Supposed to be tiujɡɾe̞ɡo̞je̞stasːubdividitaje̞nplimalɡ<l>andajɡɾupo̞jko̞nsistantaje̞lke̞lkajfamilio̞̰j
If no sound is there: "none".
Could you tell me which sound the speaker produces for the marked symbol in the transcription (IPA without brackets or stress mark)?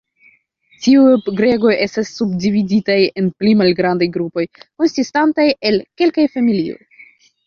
ɾ